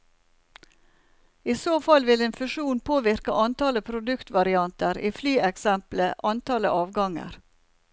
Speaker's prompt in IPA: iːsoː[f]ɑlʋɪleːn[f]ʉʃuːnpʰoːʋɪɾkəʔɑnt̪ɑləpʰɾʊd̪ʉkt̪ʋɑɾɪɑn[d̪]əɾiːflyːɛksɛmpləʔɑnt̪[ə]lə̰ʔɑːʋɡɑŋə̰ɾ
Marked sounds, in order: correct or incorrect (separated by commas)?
correct, correct, incorrect, incorrect